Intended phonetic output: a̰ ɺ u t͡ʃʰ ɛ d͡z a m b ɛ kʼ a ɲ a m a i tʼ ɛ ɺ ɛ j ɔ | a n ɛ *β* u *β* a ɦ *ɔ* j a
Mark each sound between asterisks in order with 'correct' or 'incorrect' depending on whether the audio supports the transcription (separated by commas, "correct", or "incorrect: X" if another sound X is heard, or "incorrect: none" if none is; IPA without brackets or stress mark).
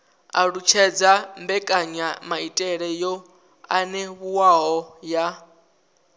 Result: correct, incorrect: w, correct